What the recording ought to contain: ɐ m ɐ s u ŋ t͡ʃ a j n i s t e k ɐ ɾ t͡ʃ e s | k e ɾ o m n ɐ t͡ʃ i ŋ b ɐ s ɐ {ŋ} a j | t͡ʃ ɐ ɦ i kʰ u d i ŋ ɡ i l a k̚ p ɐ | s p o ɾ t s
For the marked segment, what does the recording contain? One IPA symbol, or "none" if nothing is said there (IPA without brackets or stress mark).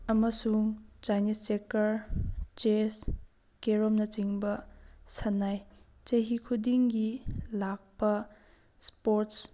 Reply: n